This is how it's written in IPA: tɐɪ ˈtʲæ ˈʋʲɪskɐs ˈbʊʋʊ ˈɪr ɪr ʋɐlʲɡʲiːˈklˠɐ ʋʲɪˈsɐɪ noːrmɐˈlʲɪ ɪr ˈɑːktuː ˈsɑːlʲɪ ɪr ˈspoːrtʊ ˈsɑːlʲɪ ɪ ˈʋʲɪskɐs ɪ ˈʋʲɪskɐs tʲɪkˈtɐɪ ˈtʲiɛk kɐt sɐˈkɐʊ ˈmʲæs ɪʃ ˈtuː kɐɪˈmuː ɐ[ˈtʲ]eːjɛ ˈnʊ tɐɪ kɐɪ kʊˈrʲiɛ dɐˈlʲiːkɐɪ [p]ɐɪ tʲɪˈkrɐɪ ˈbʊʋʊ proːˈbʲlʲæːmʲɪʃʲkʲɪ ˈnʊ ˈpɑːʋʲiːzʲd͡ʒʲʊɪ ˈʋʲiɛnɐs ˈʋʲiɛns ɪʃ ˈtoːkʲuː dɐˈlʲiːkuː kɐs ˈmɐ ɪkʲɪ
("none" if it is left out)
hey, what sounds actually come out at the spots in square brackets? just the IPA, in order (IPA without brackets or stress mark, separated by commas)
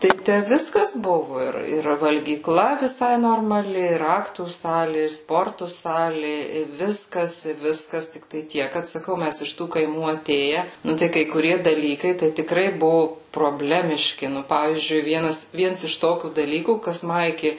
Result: tʲ, t